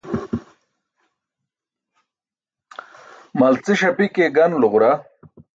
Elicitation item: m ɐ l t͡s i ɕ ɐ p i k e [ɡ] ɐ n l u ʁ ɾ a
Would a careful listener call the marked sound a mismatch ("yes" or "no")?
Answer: no